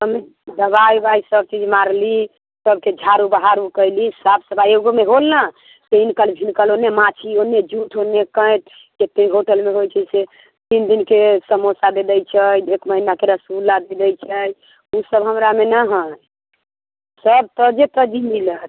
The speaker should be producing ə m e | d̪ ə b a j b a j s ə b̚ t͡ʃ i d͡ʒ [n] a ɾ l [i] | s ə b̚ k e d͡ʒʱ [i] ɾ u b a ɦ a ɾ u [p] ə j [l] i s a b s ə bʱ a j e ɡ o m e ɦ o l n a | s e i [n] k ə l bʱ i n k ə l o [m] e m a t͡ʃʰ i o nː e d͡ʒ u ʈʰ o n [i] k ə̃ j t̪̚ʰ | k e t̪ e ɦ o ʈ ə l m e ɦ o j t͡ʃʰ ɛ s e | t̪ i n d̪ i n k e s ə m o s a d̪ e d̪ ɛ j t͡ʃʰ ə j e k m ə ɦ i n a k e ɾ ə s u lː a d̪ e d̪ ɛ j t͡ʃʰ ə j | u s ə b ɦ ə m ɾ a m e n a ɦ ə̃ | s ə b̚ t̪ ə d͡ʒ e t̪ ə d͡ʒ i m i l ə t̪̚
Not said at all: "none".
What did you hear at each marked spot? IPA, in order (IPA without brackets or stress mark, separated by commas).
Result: m, i, a, k, l, n, n, e